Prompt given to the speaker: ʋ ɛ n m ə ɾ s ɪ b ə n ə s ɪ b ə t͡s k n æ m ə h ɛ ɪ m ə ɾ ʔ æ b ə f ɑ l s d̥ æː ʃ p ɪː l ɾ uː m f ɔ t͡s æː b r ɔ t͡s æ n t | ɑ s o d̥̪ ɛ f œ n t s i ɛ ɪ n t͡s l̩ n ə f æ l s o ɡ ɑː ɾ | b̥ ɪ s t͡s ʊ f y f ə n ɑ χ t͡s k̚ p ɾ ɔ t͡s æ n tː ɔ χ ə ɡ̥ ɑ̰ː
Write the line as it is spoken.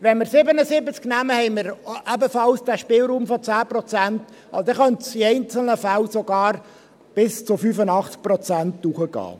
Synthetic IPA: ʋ ɛ n m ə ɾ s ɪ b ə n ə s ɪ b ə t͡s k n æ m ə h ɛ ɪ m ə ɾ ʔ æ b ə f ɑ l s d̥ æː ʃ p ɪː l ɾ uː m f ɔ t͡s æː p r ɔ t͡s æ n t | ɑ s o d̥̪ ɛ χ œ n t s i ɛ ɪ n t͡s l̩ n ə f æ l s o ɡ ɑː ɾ | b̥ ɪ s t͡s ʊ f y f ə n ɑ χ t͡s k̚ p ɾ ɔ t͡s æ n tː u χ ə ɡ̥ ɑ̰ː